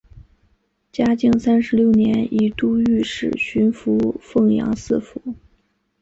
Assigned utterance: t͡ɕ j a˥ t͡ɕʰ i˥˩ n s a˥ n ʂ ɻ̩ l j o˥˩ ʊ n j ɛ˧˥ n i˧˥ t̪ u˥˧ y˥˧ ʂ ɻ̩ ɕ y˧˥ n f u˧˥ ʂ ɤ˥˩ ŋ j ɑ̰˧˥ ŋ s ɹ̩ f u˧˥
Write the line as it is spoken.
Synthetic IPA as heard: t͡ɕ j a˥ t͡ɕ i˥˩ ŋ s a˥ n ʂ ɻ̩ l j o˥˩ ʊ n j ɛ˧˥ n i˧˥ t̪ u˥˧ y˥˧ ʂ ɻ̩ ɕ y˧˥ n f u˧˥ f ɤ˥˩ ŋ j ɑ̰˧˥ ŋ s ɹ̩ f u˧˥